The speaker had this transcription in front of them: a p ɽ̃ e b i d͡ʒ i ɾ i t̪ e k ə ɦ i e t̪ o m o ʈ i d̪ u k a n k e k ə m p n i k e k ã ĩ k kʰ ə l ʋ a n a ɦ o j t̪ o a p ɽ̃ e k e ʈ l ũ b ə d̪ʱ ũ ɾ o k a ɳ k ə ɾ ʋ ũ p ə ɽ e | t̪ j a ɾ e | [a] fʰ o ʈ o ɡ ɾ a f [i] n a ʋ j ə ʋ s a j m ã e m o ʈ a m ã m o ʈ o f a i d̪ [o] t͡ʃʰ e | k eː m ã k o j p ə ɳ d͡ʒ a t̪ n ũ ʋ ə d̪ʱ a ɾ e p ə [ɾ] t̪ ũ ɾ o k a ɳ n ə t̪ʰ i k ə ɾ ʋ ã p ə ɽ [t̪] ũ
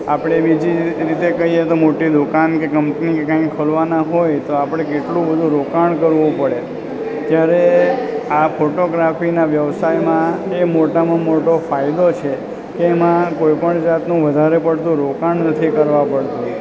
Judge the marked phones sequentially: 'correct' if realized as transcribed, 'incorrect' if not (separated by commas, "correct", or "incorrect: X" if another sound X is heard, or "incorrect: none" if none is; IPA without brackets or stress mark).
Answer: correct, correct, correct, incorrect: ɽ, correct